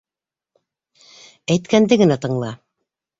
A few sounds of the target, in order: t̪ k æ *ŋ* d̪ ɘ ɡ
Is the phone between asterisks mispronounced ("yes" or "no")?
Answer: yes